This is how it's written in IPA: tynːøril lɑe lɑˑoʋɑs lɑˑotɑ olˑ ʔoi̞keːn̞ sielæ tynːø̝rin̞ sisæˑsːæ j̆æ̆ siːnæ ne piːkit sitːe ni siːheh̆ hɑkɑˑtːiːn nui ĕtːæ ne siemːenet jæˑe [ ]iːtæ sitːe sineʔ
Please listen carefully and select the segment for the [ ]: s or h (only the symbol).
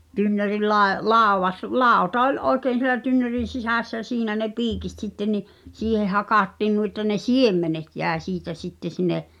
s